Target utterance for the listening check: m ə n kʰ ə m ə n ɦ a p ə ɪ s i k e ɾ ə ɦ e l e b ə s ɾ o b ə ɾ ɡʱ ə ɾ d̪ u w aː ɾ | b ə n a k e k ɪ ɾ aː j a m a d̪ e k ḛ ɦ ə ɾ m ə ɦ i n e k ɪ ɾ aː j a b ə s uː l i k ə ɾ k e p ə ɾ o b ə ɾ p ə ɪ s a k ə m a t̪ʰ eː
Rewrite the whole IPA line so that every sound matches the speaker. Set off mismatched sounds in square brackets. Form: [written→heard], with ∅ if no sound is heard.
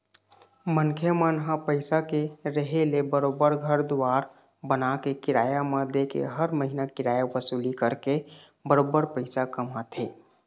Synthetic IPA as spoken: m ə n kʰ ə m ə n ɦ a p ə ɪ s [i→a] k e ɾ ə ɦ e l e b ə [s→∅] ɾ o b ə ɾ ɡʱ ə ɾ d̪ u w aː ɾ | b ə n a k e k ɪ ɾ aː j a m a d̪ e k ḛ ɦ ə ɾ m ə ɦ i n [e→a] k ɪ ɾ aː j a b ə s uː l i k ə ɾ k e [p→b] ə ɾ o b ə ɾ p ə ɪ s a k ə m a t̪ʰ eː